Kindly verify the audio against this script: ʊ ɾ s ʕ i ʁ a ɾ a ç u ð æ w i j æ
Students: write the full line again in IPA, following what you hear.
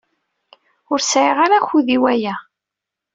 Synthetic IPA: ʊ ɾ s ʕ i ʁ a ɾ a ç u ð i w æ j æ